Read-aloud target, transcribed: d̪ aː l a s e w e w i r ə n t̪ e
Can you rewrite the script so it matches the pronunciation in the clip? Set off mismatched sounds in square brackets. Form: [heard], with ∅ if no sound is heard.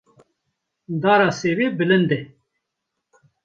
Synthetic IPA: d̪ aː [ɾ] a s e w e [b] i [l] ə n [d̪] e